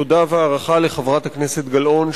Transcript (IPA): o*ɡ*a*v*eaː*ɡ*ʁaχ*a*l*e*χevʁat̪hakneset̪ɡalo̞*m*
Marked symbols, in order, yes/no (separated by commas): no, yes, no, yes, yes, no